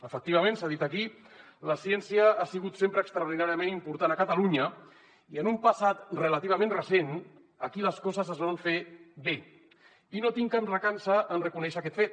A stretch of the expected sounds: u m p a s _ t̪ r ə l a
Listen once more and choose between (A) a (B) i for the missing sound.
A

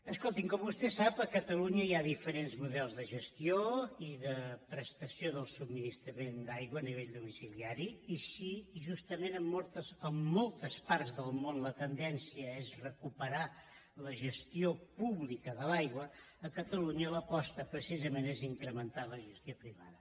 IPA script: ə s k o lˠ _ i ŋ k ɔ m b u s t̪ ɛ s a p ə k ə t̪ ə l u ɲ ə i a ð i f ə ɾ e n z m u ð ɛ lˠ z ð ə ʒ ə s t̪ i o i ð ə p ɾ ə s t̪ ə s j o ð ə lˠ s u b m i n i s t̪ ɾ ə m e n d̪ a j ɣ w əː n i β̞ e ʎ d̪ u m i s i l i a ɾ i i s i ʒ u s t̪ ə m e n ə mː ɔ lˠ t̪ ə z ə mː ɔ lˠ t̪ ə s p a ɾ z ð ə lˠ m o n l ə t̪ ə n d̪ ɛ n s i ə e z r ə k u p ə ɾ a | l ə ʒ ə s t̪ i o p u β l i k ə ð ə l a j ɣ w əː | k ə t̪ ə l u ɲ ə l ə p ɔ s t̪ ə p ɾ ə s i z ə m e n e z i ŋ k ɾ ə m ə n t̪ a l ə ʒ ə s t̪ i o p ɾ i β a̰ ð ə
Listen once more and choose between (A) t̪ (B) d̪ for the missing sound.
A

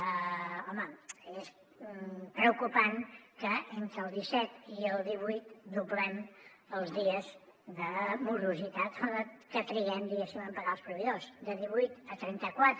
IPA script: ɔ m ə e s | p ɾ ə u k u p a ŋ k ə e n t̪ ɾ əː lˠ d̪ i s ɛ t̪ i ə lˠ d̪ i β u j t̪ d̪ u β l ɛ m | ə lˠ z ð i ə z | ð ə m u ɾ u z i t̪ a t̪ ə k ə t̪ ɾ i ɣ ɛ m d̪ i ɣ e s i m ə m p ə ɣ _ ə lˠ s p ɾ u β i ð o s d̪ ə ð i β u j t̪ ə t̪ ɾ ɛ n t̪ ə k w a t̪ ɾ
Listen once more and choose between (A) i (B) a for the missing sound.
B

